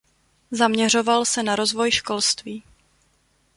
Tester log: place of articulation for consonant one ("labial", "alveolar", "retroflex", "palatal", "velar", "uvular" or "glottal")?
alveolar